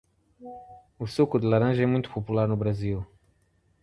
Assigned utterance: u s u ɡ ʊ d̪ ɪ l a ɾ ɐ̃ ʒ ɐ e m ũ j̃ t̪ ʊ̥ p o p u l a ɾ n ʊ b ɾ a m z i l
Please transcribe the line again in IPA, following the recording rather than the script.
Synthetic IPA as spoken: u s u k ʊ d̪ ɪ l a ɾ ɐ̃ ʒ ɐ ɛ m ũ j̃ t̪ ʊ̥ p o p u l a ɾ n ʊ b ɾ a z i l